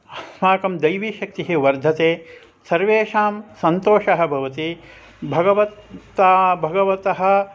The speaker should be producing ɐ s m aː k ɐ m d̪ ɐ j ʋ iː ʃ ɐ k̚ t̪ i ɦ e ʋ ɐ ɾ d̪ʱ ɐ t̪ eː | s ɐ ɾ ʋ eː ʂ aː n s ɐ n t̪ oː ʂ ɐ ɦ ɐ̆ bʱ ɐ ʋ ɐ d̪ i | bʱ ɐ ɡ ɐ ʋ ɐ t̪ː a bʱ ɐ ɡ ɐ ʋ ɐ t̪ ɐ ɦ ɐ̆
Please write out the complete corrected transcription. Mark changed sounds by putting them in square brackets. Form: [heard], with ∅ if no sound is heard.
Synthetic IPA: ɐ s m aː k ɐ m d̪ ɐ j ʋ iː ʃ ɐ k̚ t̪ i ɦ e ʋ ɐ ɾ d̪ʱ ɐ t̪ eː | s ɐ ɾ ʋ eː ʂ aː [m] s ɐ n t̪ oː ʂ ɐ ɦ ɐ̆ bʱ ɐ ʋ ɐ [t̪] i | bʱ ɐ ɡ ɐ ʋ ɐ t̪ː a bʱ ɐ ɡ ɐ ʋ ɐ t̪ ɐ ɦ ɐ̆